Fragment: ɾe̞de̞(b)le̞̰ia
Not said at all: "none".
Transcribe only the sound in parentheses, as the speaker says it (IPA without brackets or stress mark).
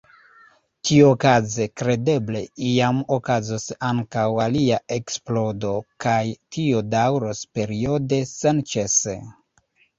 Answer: b